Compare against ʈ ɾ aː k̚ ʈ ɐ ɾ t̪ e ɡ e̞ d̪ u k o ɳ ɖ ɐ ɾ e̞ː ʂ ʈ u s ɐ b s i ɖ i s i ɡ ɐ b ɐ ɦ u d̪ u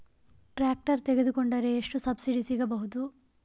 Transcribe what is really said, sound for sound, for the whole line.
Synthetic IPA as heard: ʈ ɾ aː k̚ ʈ ɐ ɾ t̪ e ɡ e̞ d̪ u k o ɳ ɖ ɐ ɾ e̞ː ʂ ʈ u s ɐ b s i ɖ i s i ɡ ɐ b ɐ ɦ u d̪ u

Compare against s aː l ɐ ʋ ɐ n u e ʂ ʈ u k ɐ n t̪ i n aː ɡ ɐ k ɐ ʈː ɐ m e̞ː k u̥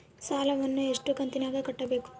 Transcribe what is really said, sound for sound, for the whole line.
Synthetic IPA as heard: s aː l ɐ ʋ ɐ nː u e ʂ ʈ u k ɐ n t̪ i n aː ɡ ɐ k ɐ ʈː ɐ b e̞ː k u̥

